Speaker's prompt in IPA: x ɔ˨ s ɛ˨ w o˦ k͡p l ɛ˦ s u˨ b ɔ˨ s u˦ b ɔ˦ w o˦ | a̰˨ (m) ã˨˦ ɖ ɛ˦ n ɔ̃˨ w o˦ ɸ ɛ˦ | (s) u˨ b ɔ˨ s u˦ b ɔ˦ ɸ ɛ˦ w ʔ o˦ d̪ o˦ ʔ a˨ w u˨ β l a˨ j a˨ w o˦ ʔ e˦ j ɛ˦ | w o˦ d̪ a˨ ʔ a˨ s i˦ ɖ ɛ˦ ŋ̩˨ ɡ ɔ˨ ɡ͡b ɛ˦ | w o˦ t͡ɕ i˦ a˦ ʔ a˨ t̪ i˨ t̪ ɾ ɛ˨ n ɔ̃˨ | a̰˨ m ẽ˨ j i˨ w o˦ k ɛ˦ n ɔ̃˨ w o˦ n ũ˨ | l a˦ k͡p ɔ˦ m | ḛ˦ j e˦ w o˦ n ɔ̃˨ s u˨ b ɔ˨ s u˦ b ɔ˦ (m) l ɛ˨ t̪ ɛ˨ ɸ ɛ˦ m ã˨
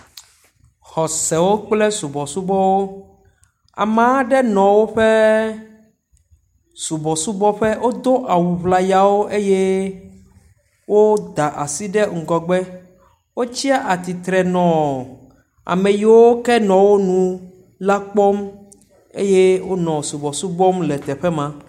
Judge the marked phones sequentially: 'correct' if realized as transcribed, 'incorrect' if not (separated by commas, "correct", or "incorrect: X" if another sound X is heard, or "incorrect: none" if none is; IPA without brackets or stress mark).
correct, correct, correct